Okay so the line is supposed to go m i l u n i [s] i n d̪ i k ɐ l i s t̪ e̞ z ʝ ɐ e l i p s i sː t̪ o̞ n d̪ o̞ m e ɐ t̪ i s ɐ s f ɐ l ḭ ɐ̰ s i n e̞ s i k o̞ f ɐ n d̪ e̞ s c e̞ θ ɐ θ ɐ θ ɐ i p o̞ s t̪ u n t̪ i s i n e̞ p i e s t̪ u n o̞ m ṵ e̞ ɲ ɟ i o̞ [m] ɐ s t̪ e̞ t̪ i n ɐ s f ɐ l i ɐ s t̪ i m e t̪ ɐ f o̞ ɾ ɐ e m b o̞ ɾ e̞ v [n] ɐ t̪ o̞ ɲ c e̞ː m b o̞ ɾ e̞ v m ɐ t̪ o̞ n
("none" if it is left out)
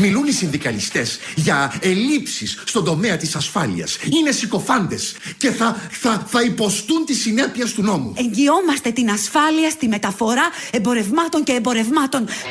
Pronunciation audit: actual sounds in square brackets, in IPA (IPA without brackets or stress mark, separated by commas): s, m, m